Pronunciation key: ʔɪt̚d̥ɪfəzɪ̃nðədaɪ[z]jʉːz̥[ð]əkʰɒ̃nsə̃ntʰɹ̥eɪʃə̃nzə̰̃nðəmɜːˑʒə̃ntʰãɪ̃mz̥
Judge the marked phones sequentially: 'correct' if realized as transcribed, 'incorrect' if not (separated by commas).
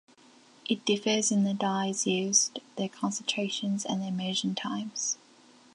correct, correct